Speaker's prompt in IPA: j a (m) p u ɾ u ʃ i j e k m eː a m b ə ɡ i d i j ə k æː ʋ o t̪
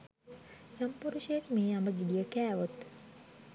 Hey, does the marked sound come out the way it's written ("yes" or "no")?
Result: yes